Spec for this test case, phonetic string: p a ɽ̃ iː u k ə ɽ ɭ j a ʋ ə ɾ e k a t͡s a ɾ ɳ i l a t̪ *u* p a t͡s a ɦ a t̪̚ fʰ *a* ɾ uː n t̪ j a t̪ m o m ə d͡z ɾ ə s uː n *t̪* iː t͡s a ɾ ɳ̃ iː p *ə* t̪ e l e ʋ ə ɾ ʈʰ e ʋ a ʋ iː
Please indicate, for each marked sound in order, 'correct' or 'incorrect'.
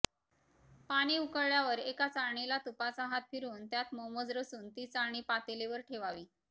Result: correct, incorrect, correct, incorrect

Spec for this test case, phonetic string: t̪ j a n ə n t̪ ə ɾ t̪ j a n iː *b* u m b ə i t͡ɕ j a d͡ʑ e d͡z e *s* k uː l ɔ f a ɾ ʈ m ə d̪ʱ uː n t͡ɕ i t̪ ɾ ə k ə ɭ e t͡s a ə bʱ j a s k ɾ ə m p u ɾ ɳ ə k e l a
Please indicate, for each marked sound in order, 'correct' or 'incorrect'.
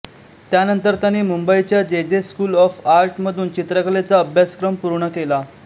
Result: incorrect, correct

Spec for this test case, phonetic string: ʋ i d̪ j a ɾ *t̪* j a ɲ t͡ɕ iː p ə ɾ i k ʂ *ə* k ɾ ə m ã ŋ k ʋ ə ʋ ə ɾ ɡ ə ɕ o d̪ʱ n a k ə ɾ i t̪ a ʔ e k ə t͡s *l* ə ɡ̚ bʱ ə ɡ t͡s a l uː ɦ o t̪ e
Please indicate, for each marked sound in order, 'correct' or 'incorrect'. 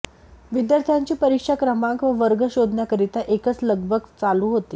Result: incorrect, incorrect, correct

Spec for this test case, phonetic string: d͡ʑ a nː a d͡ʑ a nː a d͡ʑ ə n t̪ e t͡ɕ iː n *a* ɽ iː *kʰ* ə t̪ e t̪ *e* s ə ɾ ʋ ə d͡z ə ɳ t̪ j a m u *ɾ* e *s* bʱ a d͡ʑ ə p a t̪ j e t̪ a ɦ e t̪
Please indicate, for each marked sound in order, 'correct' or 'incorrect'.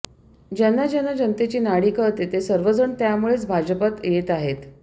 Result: correct, incorrect, correct, incorrect, incorrect

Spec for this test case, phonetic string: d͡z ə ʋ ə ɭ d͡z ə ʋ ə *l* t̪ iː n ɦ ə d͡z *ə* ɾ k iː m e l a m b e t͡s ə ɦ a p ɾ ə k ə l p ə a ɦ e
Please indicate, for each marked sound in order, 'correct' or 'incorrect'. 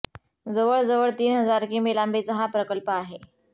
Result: incorrect, incorrect

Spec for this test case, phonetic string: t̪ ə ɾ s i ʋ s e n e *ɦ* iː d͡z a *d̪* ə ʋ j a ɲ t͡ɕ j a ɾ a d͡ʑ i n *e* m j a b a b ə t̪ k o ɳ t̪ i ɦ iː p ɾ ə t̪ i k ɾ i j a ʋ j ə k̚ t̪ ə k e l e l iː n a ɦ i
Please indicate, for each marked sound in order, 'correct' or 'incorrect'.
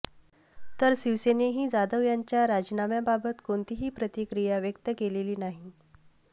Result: correct, correct, incorrect

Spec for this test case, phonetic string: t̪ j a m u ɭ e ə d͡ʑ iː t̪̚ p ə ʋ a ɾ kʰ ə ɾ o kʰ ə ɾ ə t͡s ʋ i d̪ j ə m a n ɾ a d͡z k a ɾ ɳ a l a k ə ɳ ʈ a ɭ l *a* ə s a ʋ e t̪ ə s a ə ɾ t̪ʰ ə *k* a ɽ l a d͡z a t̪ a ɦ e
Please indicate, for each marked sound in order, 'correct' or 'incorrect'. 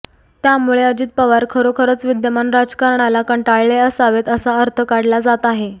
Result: incorrect, correct

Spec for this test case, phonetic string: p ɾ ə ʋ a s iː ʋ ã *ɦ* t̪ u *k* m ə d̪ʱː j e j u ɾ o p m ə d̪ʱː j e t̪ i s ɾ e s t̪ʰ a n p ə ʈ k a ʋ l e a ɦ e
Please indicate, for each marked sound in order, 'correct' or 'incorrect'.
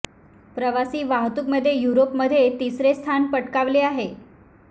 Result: correct, correct

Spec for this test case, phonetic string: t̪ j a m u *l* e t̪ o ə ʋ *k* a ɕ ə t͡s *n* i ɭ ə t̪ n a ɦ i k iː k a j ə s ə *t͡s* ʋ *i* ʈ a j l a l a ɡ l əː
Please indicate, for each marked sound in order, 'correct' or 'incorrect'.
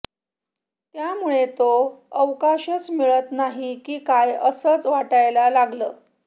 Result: incorrect, correct, incorrect, correct, incorrect

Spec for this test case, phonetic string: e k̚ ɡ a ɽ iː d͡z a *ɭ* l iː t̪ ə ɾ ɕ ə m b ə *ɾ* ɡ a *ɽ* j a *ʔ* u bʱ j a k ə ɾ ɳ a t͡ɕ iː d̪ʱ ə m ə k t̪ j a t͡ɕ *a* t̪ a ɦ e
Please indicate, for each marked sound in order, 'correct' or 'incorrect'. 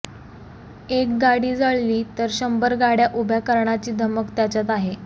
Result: correct, correct, correct, correct, correct

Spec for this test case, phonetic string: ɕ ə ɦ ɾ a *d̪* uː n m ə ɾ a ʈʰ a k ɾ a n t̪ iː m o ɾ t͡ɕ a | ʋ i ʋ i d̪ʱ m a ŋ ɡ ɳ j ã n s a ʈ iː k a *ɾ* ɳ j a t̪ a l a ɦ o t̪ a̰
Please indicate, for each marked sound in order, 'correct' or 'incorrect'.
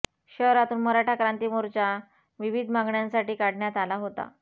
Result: incorrect, incorrect

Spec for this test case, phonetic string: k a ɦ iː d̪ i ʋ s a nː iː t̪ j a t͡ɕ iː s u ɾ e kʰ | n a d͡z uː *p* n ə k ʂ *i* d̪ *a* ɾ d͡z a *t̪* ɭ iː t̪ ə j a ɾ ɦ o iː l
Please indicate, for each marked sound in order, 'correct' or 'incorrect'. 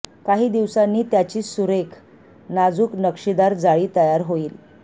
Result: incorrect, correct, correct, incorrect

